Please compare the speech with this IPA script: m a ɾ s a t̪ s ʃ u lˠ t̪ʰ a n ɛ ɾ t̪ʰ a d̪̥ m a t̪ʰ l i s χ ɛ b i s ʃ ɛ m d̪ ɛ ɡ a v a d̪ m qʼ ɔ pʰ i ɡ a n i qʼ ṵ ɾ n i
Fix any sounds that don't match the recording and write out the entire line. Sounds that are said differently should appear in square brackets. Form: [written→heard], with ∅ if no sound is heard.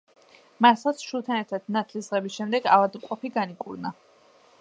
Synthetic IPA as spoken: m a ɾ s a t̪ s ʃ u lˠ t̪ʰ a n ɛ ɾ t̪ʰ a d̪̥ [m→n] a t̪ʰ l i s [χ→ʁ] ɛ b i s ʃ ɛ m d̪ ɛ ɡ a v a d̪ m qʼ ɔ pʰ i ɡ a n i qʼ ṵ ɾ n [i→a]